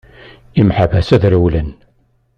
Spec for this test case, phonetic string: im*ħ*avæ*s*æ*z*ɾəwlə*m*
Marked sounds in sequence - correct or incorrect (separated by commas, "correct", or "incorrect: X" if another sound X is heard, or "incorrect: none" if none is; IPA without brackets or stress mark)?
correct, correct, incorrect: ð, incorrect: n